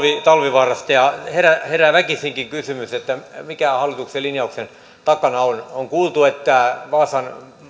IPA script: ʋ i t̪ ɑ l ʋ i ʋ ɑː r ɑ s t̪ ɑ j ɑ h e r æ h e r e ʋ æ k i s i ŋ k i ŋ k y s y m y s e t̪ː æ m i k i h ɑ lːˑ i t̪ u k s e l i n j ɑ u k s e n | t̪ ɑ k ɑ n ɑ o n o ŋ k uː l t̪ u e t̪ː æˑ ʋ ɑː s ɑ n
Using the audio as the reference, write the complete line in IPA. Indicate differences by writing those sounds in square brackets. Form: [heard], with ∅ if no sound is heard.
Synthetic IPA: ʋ i t̪ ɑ l ʋ i ʋ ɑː r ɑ s t̪ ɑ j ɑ h e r æ h e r [æ] ʋ æ k i s i ŋ k i ŋ k y s y m y s e t̪ː æ m i k [æ] h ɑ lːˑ i t̪ u k s e l i n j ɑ u k s e n | t̪ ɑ k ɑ n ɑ o n o ŋ k uː l t̪ u e t̪ː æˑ ʋ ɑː s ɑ n

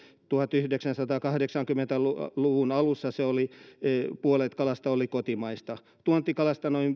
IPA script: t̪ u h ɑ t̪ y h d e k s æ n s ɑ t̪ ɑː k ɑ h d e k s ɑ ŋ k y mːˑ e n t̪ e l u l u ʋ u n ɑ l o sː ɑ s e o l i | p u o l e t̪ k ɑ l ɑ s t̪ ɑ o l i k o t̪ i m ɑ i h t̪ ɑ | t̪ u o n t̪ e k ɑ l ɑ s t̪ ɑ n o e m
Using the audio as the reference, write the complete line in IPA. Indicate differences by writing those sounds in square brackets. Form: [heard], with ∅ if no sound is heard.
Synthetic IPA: t̪ u h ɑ t̪ y h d e k s æ n s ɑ t̪ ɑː k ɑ h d e k s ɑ ŋ k y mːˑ e n t̪ [æ] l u l u ʋ u n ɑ l [u] sː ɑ s e o l i | p u o l e t̪ k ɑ l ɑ s t̪ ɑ o l i k o t̪ i m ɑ i [s] t̪ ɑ | t̪ u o n t̪ [i] k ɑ l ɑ s t̪ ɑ n o [i] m

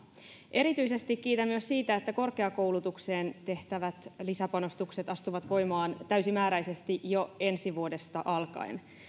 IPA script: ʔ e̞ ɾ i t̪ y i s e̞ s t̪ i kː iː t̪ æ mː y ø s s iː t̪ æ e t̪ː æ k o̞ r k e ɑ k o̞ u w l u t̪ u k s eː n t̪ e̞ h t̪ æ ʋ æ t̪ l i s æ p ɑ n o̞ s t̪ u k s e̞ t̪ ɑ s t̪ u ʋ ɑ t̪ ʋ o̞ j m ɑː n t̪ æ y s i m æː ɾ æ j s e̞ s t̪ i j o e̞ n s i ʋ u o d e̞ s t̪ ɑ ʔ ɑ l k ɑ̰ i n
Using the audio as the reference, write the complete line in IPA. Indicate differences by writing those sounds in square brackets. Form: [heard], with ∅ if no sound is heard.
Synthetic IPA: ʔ e̞ ɾ i t̪ y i s e̞ s t̪ i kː iː t̪ æ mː y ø s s iː t̪ æ e t̪ː æ k o̞ r k e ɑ k o̞ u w l u t̪ u k s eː n t̪ e̞ h t̪ æ ʋ æ t̪ l i s æ p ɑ n o̞ s t̪ u k s e̞ t̪ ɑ s t̪ u ʋ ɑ t̪ ʋ o̞ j m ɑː n t̪ æ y s i m æː ɾ æ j s e̞ s t̪ i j o e̞ n s i ʋ u o d e̞ s t̪ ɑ ʔ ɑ l k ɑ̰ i n

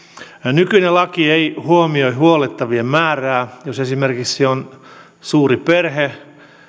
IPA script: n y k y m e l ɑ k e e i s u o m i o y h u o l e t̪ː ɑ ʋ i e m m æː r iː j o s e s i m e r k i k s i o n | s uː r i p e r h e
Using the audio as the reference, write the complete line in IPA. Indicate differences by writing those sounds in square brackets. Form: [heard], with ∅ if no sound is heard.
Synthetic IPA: n y k y [n] e l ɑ k [i] e i [h] u o m i o [i] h u o l e t̪ː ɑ ʋ i e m m æː r [æː] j o s e s i m e r k i k s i o n | s uː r i p e r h e

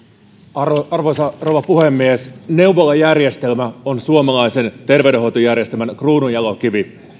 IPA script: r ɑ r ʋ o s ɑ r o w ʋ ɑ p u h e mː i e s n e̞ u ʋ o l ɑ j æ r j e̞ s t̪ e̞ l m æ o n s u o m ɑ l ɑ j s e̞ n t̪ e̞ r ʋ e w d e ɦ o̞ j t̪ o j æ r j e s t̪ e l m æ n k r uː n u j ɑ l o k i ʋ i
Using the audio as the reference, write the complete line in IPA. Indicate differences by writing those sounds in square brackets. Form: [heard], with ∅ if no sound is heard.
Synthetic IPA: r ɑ r ʋ o s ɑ r o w ʋ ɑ p u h e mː i e s n e̞ u ʋ o l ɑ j æ r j e̞ s t̪ e̞ l m æ o n s u o m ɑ l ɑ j s e̞ n t̪ e̞ r ʋ e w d e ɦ o̞ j t̪ o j æ r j e s t̪ e l m æ n k r uː n u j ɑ l o k i ʋ i

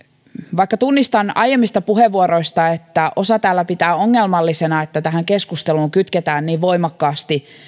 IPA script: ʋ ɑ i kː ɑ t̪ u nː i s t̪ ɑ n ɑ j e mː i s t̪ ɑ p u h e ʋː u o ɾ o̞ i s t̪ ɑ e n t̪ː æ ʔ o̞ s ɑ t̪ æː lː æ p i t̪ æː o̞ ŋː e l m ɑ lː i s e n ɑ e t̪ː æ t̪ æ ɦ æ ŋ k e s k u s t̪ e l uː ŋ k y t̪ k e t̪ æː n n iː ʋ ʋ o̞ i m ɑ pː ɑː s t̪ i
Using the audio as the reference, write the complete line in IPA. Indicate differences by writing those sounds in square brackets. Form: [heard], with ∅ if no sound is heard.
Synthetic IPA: ʋ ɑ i kː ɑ t̪ u nː i s t̪ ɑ n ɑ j e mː i s t̪ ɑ p u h e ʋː u o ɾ o̞ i s t̪ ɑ e [∅] t̪ː æ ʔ o̞ s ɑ t̪ æː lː æ p i t̪ æː o̞ ŋː e l m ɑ lː i s e n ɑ e t̪ː æ t̪ æ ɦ æ ŋ k e s k u s t̪ e l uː ŋ k y t̪ k e t̪ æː n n iː ʋ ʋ o̞ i m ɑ [kː] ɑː s t̪ i

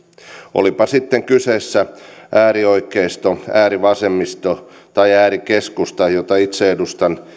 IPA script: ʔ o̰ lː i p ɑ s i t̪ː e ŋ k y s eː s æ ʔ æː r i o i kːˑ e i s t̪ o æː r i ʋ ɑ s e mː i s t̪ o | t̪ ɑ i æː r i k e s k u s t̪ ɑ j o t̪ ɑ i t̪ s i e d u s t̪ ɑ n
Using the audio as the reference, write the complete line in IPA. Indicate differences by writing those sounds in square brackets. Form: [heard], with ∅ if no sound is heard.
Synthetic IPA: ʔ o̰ [l] i p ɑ s i t̪ː e ŋ k y s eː [sː] æ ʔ æː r i o i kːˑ e i s t̪ o æː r i ʋ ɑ s e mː i s t̪ o | t̪ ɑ i æː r i k e s k u s t̪ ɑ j o t̪ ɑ i t̪ s [e] e d u s t̪ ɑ n

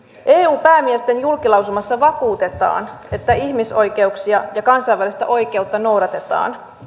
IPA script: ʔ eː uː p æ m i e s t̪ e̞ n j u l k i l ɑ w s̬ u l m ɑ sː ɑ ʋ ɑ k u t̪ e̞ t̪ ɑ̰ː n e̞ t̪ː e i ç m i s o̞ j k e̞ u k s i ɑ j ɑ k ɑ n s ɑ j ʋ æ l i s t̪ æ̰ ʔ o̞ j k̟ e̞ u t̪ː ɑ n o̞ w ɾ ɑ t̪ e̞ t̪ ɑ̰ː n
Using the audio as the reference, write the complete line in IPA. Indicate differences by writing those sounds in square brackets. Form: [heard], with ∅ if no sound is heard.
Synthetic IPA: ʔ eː uː p [æː] m i e s t̪ e̞ n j u l k i l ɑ w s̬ u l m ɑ sː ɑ ʋ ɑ k [uː] t̪ e̞ t̪ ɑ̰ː n e̞ t̪ː [æ] i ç m i s o̞ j k e̞ u k s i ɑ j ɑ k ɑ n s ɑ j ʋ æ l i s t̪ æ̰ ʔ o̞ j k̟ e̞ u t̪ː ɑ n o̞ w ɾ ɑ t̪ e̞ t̪ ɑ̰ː n

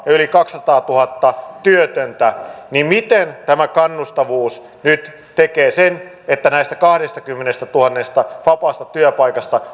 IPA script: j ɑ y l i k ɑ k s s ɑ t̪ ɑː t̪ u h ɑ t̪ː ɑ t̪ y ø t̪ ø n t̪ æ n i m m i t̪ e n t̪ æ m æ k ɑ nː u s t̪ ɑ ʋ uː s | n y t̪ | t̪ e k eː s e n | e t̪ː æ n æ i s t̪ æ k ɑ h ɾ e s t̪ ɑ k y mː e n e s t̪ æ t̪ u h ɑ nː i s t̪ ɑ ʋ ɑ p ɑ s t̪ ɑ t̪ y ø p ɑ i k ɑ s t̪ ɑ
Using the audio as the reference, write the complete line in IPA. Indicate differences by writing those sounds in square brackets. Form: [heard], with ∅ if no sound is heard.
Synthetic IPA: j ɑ y l i k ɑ k s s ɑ t̪ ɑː t̪ u h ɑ t̪ː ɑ t̪ y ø t̪ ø n t̪ æ n i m m i t̪ e n t̪ æ m æ k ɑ nː u s t̪ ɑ ʋ uː s | n y t̪ | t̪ e k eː s e n | e t̪ː æ n æ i s t̪ æ k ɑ h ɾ e s t̪ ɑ k y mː e n e s t̪ æ t̪ u h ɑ nː [e] s t̪ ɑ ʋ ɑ p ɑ s t̪ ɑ t̪ y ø p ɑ i k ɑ s t̪ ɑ

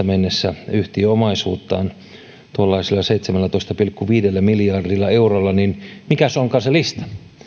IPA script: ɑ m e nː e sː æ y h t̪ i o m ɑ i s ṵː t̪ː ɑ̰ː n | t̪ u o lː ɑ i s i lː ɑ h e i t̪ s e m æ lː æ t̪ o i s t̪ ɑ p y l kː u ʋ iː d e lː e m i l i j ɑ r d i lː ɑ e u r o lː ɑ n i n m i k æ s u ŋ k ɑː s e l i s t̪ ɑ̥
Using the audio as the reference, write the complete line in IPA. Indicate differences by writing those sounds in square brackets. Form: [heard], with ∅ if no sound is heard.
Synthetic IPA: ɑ m e nː e sː æ y h t̪ i o m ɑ i s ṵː t̪ː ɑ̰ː n | t̪ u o lː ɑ i s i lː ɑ [s] e i t̪ s e m æ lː æ t̪ o i s t̪ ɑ p [i] l kː u ʋ iː d e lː [æ] m i l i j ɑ r d i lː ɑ e u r o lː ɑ n i n m i k æ s [o] ŋ k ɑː s e l i s t̪ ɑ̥

